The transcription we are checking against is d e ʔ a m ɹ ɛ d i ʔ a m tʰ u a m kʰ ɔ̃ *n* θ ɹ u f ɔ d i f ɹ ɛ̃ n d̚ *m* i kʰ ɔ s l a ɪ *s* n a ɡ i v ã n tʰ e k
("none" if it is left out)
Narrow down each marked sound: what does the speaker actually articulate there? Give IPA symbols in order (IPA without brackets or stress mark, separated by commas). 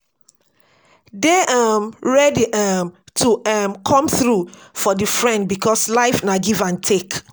m, b, f